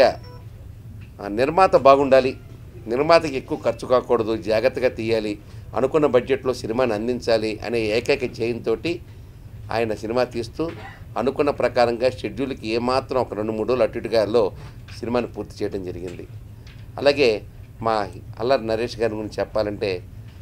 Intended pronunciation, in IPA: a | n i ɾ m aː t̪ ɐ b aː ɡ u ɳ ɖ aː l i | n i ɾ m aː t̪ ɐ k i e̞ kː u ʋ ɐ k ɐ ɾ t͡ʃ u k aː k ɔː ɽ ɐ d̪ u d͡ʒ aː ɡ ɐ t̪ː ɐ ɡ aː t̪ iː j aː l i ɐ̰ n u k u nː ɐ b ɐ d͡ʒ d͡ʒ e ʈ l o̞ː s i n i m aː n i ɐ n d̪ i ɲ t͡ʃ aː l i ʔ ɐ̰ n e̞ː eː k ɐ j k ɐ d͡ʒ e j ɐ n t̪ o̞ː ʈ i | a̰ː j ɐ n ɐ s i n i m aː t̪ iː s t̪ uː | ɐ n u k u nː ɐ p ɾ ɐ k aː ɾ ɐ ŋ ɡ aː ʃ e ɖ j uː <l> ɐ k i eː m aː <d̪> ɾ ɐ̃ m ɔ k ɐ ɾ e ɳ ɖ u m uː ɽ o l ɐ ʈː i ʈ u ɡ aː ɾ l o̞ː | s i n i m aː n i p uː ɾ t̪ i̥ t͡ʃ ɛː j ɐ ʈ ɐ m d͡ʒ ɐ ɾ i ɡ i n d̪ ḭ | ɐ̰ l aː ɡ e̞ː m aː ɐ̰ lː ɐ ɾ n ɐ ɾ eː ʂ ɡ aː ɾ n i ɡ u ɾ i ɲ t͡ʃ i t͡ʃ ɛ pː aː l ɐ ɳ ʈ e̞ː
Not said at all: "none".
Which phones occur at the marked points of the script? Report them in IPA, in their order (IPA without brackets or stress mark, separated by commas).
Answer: l, t̪